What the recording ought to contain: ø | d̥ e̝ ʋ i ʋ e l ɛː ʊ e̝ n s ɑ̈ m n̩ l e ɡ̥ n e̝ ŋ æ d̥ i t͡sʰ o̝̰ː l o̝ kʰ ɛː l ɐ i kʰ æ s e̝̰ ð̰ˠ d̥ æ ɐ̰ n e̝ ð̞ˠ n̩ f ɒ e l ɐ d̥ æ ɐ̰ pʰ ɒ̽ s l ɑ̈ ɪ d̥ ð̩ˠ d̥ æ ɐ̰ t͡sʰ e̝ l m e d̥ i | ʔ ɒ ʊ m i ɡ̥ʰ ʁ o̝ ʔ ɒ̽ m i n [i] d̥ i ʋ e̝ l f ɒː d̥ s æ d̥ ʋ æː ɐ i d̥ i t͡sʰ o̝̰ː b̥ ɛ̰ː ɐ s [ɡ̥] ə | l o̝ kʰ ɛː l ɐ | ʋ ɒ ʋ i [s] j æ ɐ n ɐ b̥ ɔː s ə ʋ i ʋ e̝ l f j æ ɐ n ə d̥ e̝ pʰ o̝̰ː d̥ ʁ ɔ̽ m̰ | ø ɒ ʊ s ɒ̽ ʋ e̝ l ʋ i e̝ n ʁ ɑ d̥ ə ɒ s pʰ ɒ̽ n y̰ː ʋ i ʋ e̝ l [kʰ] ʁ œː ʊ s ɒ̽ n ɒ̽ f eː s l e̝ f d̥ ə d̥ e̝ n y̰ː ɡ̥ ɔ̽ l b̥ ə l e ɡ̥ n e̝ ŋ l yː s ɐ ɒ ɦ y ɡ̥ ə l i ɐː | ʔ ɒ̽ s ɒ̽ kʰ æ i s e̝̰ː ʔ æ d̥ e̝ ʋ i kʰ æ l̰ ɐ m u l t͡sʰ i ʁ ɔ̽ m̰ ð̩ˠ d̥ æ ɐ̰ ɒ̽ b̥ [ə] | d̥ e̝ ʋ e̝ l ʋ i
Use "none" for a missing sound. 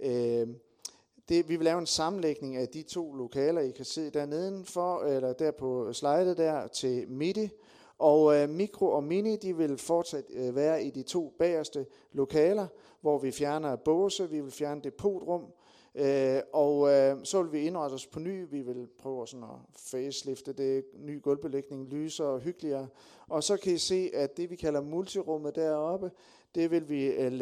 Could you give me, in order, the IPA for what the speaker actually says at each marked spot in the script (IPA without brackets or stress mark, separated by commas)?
i, d̥, f, pʰ, ə